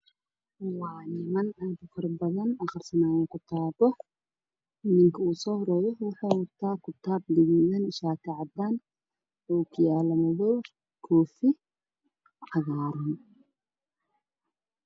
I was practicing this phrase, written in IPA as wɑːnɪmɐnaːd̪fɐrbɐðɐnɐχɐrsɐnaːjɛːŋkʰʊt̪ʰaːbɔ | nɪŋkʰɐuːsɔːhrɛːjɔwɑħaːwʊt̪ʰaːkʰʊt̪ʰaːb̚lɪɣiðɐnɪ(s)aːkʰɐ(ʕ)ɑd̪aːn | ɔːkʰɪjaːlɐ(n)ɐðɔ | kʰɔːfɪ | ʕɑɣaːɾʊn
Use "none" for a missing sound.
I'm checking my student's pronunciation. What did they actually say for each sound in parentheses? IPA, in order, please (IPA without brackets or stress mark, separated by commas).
ʃ, ʕ, m